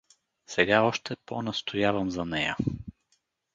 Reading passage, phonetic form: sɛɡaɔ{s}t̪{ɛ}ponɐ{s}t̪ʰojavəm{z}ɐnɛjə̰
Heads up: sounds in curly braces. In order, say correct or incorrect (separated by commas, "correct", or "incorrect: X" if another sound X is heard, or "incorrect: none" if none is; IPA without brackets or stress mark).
incorrect: ʃ, correct, correct, correct